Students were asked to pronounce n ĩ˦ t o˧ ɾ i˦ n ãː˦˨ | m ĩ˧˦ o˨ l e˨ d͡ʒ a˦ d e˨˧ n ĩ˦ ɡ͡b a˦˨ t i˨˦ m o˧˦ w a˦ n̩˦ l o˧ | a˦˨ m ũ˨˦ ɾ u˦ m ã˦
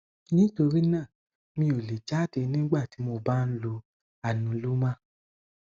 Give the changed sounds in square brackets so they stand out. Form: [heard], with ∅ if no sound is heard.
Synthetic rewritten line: n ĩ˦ t o˧ ɾ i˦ n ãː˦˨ | m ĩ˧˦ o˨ l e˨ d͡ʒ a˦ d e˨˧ n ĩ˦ ɡ͡b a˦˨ t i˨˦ m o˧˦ [b] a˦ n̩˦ l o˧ | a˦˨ [n] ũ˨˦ [l] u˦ m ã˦